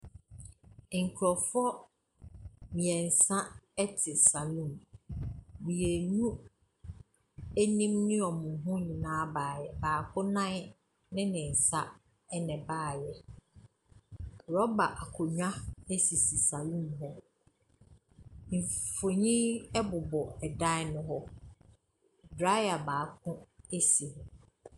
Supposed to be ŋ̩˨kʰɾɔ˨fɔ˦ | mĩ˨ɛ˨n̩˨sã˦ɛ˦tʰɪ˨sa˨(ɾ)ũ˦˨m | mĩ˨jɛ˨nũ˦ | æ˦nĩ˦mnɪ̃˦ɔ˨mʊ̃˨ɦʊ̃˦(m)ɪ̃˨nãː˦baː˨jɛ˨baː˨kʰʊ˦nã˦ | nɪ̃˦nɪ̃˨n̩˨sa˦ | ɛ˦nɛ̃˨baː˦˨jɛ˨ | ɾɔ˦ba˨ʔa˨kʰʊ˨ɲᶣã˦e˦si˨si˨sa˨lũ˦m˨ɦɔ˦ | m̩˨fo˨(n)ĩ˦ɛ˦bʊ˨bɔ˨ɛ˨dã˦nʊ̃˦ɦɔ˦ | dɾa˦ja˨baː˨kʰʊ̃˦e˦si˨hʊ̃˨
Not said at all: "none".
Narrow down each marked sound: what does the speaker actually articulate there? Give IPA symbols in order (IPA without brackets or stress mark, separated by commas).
l, ɲ, ɲ